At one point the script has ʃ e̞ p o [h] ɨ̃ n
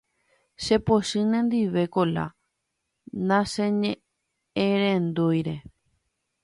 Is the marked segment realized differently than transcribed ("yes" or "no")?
yes